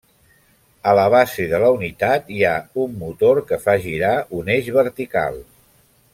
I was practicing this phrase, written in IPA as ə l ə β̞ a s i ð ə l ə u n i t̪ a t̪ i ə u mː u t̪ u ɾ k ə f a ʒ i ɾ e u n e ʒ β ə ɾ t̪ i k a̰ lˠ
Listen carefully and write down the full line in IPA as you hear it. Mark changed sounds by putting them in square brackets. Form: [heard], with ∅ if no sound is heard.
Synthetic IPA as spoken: ə l ə β̞ a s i ð ə l ə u n i t̪ a t̪ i [a] u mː u t̪ [o] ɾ k ə f a ʒ i ɾ [a] u n e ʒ β ə ɾ t̪ i k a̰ lˠ